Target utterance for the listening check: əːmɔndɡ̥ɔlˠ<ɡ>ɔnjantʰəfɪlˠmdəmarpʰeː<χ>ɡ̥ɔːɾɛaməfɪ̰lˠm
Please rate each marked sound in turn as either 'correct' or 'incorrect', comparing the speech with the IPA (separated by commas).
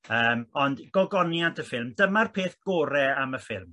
correct, incorrect